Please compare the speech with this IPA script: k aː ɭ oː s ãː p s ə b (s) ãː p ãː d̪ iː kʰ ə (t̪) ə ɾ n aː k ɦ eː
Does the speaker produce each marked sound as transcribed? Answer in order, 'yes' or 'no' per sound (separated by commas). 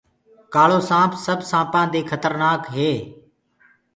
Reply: yes, yes